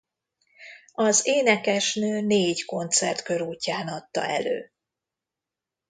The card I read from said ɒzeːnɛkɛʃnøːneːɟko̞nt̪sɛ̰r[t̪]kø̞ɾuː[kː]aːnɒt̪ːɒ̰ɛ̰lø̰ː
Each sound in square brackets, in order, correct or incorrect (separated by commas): correct, incorrect